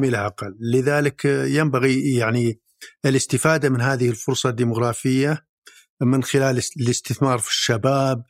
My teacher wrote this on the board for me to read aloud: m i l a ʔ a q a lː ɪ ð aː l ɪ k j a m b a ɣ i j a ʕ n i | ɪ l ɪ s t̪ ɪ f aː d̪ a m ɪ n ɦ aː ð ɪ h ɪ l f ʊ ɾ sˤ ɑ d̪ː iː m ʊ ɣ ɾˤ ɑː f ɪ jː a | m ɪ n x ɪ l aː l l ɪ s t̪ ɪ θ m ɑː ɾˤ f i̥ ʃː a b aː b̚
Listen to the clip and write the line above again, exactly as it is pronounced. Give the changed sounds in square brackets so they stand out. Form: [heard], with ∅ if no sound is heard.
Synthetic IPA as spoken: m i l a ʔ a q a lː ɪ ð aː l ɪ k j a m b a ɣ i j a ʕ n i | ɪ l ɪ s t̪ ɪ f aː d̪ a m ɪ n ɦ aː ð ɪ h ɪ l f ʊ ɾ sˤ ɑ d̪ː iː m ʊ ɣ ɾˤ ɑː f ɪ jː a | m ɪ n x ɪ l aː l l ɪ s t̪ ɪ θ m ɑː ɾˤ f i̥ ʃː a b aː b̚